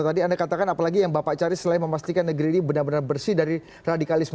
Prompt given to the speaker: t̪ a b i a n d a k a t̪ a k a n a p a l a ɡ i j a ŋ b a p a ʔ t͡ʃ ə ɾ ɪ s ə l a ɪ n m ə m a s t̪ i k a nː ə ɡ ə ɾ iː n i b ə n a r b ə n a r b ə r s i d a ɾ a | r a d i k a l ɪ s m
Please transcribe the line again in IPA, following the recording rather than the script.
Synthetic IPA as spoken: t̪ a d i a n d a k a t̪ a k a n a p a l a ɡ i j a ŋ b a p a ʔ t͡ʃ a ɾ ɪ s ə l a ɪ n m ə m a s t̪ i k a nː ə ɡ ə ɾ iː n i b ə n a r b ə n a r b ə r s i d a ɾ i | r a d i k a l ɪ s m